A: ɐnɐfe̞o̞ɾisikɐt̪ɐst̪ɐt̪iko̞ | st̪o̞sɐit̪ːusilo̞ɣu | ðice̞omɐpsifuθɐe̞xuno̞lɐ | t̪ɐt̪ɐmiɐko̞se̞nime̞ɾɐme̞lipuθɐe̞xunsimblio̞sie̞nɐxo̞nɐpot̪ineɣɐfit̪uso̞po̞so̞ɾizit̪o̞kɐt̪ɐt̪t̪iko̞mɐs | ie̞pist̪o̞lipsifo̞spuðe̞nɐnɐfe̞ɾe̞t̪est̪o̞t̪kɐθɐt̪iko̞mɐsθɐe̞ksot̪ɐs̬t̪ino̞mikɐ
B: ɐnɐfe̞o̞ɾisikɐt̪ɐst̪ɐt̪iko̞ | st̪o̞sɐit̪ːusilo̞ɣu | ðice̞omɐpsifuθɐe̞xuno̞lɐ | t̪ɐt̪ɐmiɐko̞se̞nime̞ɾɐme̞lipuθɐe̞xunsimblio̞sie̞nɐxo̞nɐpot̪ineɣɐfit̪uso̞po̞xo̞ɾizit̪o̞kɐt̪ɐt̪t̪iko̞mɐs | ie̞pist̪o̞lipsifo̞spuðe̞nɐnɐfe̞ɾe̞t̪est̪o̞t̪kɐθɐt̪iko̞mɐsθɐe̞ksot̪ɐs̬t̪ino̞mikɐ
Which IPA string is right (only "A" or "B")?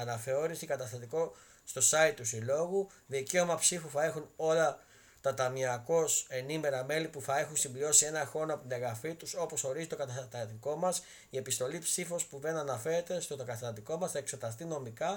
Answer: A